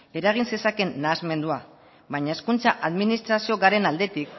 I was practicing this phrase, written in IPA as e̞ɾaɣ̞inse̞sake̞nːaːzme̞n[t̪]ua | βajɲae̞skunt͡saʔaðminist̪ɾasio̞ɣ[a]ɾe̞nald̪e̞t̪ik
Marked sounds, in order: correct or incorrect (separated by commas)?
incorrect, correct